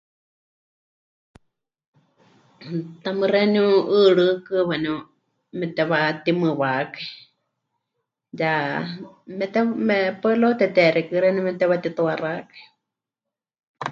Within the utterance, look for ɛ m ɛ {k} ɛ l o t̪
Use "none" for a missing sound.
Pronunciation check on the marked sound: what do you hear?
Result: p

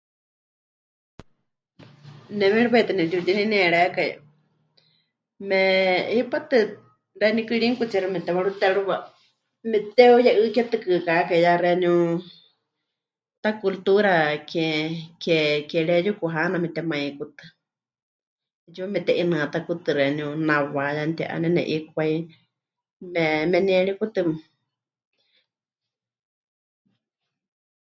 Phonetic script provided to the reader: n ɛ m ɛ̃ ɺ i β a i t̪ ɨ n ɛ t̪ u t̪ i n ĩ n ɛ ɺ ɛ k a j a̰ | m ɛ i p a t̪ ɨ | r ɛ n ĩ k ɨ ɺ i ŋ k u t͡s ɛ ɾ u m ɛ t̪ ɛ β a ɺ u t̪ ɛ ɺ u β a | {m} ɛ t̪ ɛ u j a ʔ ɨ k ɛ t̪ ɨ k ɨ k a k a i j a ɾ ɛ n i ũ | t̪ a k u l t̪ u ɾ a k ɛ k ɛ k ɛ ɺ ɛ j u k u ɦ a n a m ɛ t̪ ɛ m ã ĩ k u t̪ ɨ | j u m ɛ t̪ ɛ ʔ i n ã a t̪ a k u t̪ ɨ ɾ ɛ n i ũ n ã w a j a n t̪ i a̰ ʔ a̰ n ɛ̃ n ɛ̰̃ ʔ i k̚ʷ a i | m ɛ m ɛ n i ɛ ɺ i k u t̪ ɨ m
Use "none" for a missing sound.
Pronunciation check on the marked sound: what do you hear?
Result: m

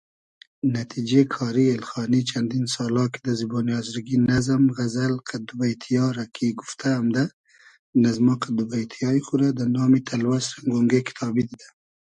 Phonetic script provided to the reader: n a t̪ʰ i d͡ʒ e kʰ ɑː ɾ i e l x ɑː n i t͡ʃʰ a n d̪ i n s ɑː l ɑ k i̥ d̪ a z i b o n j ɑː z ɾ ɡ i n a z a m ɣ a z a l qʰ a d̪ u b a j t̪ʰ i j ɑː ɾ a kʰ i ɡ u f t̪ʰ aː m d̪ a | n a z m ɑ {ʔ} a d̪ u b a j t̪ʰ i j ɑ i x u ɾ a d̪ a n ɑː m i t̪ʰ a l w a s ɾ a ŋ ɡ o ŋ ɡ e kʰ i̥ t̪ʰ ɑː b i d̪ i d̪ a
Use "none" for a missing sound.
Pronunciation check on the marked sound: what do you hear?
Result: q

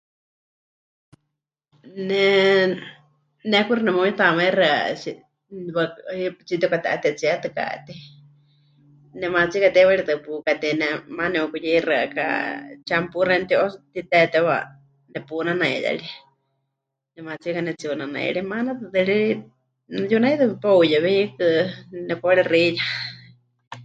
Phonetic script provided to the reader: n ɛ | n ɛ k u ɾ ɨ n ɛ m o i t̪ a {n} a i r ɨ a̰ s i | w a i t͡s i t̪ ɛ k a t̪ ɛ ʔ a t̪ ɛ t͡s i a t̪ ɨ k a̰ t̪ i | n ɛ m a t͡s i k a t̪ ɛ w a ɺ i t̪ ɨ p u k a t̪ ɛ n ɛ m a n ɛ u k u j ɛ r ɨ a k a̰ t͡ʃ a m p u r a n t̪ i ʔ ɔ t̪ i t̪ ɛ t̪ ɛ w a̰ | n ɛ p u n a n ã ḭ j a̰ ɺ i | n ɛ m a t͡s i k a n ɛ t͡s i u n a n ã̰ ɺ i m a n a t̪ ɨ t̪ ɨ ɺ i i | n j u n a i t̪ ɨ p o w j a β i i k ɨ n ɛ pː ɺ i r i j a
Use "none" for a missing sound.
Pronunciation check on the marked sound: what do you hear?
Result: m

